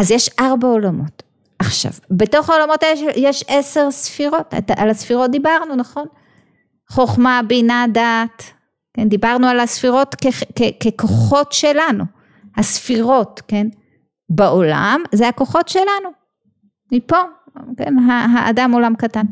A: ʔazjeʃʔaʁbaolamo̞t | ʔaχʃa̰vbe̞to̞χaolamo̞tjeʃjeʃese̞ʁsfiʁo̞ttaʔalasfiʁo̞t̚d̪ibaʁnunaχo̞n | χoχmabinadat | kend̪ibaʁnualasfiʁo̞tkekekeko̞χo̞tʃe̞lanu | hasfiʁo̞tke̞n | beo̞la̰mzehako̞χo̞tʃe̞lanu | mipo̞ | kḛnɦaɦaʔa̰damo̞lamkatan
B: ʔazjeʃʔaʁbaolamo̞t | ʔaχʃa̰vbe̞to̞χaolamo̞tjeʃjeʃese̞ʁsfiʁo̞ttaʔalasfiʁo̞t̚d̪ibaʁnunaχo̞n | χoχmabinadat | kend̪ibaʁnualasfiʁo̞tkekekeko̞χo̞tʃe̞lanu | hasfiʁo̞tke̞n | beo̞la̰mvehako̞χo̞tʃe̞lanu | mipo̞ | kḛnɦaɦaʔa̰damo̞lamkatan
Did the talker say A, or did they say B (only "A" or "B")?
A